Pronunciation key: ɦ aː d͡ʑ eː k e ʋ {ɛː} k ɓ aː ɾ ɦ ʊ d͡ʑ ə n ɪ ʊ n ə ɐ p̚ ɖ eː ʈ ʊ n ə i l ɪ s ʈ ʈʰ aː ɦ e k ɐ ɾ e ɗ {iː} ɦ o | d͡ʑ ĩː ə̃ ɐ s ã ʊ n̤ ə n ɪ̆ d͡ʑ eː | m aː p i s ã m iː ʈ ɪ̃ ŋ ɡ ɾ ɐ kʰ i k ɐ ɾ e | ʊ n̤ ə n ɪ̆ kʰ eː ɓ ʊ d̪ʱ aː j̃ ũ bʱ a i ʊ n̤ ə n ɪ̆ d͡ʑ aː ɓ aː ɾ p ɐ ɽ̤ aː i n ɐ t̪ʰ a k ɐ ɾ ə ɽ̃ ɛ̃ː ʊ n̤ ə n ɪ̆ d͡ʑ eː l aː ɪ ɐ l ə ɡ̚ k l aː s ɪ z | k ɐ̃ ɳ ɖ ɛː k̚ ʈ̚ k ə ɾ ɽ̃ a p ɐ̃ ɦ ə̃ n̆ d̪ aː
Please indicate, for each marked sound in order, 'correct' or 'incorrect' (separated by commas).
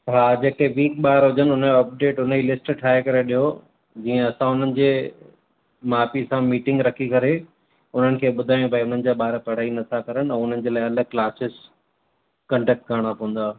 incorrect, incorrect